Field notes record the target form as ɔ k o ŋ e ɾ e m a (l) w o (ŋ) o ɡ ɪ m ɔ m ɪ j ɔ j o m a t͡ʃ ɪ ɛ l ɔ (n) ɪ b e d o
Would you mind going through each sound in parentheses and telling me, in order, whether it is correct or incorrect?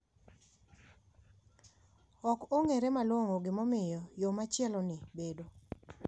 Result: correct, correct, correct

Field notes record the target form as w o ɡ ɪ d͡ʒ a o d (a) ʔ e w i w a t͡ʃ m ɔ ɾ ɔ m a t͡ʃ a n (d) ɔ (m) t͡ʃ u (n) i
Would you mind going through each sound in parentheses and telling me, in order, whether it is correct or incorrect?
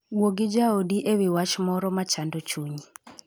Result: incorrect: i, correct, incorrect: none, incorrect: ɲ

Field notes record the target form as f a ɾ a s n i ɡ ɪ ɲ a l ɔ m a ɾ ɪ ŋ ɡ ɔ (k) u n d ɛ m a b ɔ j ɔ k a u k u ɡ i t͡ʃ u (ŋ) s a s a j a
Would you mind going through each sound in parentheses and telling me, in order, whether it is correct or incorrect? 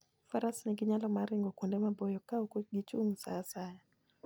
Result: correct, correct

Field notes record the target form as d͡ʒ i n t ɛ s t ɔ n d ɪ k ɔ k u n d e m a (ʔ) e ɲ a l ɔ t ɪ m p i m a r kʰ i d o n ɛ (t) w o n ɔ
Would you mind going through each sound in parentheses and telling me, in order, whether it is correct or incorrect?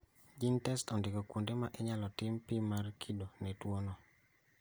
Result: correct, correct

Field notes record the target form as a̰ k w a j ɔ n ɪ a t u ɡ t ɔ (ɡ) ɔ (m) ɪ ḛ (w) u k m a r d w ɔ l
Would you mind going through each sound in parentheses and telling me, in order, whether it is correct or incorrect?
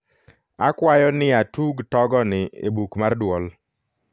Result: correct, incorrect: n, incorrect: b

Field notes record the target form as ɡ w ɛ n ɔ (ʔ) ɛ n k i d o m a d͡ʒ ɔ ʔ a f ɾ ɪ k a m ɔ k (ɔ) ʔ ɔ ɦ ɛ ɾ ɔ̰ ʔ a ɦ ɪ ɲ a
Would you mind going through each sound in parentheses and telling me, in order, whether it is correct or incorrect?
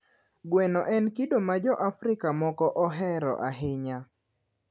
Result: correct, correct

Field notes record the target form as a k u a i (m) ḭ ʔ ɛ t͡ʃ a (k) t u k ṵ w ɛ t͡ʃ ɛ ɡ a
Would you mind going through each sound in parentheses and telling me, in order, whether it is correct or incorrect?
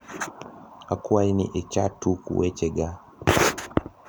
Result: incorrect: n, incorrect: none

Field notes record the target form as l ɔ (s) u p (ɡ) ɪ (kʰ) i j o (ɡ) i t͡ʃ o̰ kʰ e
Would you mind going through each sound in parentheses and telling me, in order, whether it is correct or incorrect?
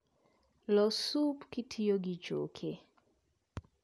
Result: correct, incorrect: k, incorrect: tʰ, correct

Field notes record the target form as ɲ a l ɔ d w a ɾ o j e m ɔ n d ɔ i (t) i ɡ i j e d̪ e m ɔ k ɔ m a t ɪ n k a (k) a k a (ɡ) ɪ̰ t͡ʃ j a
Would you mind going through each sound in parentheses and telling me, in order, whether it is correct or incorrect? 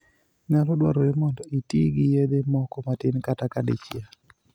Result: correct, incorrect: t, incorrect: d

